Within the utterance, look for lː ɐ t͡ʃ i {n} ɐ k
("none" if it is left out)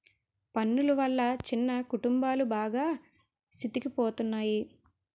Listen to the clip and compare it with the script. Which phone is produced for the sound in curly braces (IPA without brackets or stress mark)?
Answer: nː